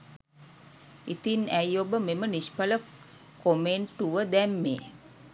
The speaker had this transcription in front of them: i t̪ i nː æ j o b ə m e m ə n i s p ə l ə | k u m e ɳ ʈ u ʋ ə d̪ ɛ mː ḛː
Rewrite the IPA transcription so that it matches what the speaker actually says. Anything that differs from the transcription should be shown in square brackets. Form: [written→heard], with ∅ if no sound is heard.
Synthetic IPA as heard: i t̪ i [nː→n] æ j o b ə m e m ə n i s p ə l ə | k [u→o] m e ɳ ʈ u ʋ ə d̪ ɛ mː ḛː